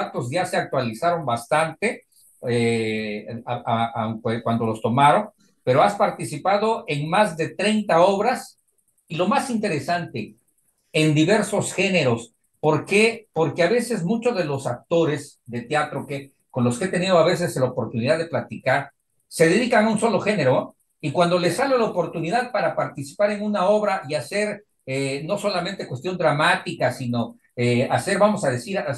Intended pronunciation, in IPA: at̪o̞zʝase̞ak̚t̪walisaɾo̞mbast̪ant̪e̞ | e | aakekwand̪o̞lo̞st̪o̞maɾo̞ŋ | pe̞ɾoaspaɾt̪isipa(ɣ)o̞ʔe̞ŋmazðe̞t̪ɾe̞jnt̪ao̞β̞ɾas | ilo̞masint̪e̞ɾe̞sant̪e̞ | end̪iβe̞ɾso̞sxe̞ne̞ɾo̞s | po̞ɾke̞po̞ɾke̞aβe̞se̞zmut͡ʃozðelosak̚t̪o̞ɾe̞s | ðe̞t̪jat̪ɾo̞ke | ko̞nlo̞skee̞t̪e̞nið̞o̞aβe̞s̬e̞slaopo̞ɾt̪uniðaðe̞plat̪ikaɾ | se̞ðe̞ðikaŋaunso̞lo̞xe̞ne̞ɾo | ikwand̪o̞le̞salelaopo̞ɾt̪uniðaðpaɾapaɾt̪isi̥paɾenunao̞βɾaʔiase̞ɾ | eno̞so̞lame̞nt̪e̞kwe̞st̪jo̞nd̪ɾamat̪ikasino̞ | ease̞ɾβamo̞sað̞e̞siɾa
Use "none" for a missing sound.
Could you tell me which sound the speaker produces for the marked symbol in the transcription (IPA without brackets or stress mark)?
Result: ð